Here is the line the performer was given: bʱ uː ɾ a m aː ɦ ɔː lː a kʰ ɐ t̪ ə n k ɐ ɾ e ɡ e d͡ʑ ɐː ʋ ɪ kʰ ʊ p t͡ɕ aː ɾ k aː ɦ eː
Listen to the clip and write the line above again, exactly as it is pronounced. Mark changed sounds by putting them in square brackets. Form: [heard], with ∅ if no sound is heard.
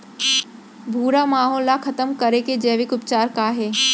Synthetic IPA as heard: bʱ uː ɾ a m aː ɦ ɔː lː a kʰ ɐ t̪ ə [m] k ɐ ɾ e [k] e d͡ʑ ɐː ʋ ɪ [k] ʊ p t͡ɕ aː ɾ k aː ɦ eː